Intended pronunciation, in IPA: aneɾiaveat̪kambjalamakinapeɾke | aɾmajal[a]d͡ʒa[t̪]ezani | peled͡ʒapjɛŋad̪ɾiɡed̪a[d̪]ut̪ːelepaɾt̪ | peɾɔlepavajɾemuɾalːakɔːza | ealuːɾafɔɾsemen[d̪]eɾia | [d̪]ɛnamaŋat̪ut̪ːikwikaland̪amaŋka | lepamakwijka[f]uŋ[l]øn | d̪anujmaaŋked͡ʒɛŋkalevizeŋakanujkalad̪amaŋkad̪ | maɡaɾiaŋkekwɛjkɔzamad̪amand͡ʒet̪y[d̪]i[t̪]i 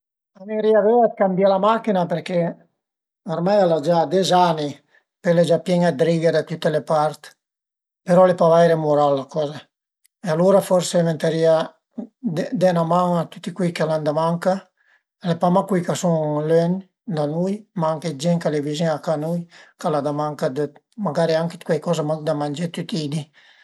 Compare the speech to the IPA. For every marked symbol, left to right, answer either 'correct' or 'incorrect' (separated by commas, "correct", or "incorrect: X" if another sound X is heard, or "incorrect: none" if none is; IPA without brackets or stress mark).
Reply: correct, incorrect: d̪, incorrect: t̪, incorrect: t̪, correct, incorrect: s, correct, incorrect: t̪, incorrect: d̪